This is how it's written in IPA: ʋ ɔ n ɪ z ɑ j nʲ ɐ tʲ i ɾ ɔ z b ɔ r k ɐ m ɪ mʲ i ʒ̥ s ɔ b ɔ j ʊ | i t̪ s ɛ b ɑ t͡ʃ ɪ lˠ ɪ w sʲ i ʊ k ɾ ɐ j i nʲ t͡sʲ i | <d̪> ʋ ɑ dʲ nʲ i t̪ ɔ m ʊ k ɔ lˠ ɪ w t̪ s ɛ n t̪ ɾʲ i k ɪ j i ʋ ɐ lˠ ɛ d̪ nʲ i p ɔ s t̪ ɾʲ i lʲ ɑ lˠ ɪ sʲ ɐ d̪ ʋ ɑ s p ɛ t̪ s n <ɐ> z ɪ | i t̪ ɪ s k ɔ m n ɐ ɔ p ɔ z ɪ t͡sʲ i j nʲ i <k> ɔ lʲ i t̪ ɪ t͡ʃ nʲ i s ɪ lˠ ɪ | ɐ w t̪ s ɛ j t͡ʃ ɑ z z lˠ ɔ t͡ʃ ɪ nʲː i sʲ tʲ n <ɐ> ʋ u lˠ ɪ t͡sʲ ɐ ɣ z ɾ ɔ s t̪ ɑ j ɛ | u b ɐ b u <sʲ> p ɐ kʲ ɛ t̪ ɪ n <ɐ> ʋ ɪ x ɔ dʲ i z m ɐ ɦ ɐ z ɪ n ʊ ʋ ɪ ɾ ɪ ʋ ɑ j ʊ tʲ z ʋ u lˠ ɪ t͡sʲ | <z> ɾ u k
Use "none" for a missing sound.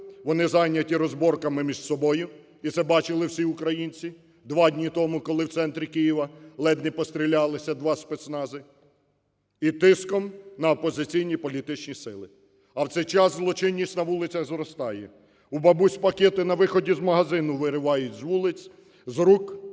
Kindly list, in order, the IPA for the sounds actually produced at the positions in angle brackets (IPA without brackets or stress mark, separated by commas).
d̪, ɑ, p, ɐ, sʲ, ɐ, z